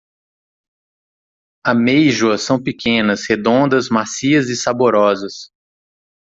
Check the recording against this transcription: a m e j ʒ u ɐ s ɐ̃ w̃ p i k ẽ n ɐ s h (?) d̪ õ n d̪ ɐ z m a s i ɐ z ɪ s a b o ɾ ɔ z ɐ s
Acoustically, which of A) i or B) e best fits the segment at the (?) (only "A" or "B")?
B